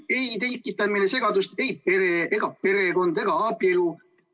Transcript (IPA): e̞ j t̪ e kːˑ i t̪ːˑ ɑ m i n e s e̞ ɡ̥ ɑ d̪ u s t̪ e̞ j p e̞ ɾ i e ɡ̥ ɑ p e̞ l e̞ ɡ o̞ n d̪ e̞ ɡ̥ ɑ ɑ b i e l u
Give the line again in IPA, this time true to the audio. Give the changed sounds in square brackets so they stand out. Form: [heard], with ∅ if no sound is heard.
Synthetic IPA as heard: e̞ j t̪ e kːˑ i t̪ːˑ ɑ m i n e s e̞ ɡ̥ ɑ d̪ u s t̪ e̞ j p e̞ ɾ [e] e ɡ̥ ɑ p e̞ [ɾ] e̞ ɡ o̞ n d̪ e̞ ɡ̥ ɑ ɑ b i e l u